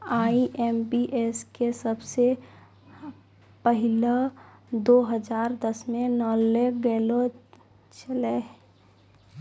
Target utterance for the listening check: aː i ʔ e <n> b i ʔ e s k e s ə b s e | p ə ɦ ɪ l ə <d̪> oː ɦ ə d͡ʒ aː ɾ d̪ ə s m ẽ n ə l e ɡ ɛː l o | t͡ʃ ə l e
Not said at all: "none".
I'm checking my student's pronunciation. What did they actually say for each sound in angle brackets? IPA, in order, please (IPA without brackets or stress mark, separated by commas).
m, d̪